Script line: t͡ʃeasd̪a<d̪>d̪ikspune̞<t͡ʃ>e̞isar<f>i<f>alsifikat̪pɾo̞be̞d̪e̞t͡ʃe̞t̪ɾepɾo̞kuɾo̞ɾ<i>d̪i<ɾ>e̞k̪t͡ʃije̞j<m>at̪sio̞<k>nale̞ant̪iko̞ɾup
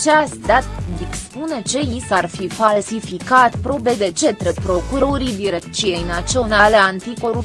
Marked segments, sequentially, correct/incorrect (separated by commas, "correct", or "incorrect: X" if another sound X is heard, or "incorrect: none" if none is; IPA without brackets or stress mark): incorrect: t̪, correct, correct, correct, correct, correct, incorrect: n, incorrect: none